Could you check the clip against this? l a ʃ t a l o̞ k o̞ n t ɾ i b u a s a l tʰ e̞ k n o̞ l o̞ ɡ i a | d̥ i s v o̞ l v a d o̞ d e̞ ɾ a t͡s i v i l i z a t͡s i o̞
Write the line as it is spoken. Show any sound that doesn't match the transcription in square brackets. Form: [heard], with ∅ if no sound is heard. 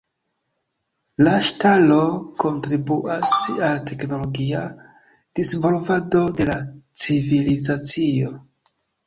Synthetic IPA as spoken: l a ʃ t a l o̞ k o̞ n t ɾ i b u a s a l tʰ e̞ k n o̞ l o̞ ɡ i a | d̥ i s v o̞ l v a d o̞ d e̞ [l] a t͡s i v i l i z a t͡s i o̞